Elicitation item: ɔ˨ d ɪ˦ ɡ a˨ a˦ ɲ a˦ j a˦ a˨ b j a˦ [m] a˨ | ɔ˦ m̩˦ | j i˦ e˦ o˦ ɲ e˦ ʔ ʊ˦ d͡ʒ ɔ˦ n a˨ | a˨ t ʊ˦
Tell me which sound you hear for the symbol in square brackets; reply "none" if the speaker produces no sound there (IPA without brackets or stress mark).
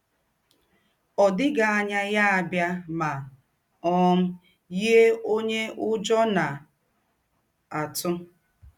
m